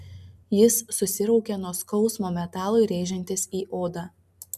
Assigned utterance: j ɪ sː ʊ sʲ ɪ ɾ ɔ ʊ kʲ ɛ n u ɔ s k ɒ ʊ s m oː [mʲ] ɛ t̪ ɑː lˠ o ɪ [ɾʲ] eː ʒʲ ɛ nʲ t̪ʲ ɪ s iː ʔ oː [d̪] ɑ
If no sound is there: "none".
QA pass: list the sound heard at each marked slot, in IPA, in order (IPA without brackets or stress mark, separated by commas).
mʲ, ɾʲ, d̪